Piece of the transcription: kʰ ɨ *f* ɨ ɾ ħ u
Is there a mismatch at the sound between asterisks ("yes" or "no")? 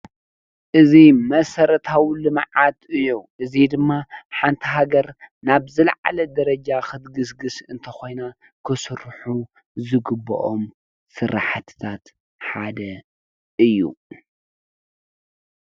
yes